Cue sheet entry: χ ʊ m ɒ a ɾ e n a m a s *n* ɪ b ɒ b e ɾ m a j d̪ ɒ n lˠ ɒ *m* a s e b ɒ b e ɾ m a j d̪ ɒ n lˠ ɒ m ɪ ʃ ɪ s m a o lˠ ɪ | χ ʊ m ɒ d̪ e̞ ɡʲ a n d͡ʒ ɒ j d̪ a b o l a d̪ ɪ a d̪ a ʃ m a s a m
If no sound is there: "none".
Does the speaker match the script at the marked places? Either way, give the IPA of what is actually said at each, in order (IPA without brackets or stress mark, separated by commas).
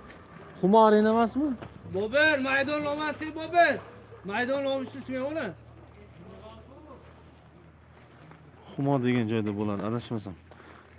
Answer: m, m